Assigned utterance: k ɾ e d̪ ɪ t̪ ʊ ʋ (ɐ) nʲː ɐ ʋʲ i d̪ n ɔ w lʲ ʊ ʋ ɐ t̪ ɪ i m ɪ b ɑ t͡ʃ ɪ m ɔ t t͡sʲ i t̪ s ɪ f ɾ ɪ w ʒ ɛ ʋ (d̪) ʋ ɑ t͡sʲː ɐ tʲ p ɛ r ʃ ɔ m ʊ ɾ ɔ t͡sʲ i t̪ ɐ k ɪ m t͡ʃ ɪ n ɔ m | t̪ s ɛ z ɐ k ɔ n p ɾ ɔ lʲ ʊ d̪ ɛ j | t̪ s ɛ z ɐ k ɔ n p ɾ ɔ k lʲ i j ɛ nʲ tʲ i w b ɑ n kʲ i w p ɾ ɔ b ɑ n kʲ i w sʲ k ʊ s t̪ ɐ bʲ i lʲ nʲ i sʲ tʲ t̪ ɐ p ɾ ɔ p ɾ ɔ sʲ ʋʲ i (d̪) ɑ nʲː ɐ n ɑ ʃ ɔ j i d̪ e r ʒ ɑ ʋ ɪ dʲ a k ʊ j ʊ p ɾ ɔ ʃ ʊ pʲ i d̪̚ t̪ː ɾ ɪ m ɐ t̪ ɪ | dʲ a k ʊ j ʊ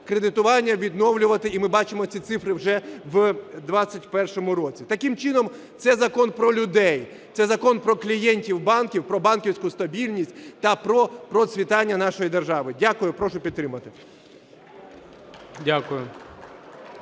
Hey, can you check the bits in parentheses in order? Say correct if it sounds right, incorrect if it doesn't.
incorrect: ɑ, correct, incorrect: t̪

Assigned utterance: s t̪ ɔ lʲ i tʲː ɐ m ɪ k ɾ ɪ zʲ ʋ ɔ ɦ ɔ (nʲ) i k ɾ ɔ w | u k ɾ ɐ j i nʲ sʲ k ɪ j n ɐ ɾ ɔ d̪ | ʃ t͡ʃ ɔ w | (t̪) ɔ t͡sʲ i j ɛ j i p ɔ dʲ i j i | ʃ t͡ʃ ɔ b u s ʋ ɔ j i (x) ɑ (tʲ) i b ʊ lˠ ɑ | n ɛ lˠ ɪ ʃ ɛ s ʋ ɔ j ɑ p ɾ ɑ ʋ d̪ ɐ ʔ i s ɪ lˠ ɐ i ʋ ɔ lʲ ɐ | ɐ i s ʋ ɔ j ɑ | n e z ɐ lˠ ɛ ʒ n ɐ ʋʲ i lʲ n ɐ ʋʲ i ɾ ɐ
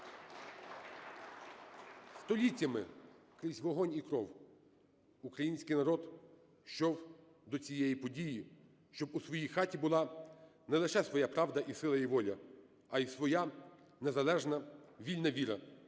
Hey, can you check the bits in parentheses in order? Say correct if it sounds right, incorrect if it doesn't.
correct, incorrect: d̪, correct, correct

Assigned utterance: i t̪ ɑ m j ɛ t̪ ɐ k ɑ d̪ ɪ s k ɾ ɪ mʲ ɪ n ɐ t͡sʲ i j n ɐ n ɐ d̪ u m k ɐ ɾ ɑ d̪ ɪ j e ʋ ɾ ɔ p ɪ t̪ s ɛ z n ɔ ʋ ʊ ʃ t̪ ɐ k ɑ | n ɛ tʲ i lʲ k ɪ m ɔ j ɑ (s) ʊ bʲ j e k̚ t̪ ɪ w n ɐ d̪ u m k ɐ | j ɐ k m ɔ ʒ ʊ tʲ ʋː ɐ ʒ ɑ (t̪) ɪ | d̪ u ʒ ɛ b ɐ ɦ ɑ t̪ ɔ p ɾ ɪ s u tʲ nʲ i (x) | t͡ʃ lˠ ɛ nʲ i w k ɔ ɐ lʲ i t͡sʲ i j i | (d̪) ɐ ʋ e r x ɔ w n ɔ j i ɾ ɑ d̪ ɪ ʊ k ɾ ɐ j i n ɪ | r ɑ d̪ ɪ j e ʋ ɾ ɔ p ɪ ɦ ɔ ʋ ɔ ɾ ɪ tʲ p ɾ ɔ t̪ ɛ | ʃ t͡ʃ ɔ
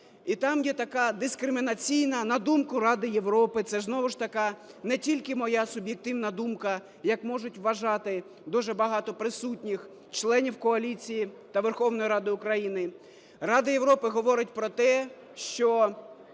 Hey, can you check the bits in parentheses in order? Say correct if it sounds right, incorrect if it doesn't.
correct, correct, correct, incorrect: t̪

